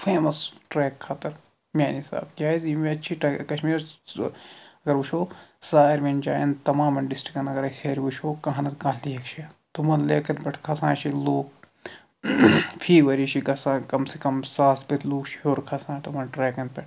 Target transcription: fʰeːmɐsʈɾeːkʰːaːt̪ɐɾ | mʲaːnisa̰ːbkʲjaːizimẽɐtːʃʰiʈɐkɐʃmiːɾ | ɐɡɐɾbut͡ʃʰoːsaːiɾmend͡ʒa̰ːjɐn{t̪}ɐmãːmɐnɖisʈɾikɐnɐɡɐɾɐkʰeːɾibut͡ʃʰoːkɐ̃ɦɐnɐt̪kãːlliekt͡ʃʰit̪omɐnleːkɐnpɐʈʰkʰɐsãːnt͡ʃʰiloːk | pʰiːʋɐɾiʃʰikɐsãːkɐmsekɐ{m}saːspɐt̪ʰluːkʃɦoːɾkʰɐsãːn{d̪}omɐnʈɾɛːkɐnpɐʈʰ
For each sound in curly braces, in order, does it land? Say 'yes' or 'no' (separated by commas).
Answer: yes, yes, no